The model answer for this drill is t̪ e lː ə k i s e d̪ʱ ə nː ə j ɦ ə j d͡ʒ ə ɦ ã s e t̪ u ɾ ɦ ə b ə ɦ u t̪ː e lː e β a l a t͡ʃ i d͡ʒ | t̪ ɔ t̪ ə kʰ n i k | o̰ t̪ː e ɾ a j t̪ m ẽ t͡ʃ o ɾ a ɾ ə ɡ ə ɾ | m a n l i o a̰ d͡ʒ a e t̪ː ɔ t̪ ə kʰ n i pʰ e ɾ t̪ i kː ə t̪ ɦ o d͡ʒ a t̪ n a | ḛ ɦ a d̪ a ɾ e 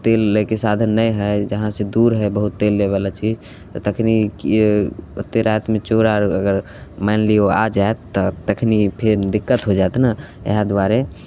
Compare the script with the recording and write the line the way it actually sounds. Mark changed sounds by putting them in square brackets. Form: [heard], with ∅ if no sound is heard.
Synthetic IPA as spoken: t̪ e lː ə k [e] s [a] d̪ʱ ə nː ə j ɦ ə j d͡ʒ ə ɦ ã s e [d̪] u ɾ ɦ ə b ə ɦ u t̪ː e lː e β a l a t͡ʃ i d͡ʒ | t̪ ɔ t̪ ə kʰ n i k | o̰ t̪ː e ɾ a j t̪ m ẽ t͡ʃ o ɾ a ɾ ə ɡ ə ɾ | m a n l i o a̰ d͡ʒ a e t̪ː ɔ t̪ ə kʰ n i pʰ e ɾ [d̪] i kː ə t̪ ɦ o d͡ʒ a t̪ n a | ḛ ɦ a d̪ a ɾ e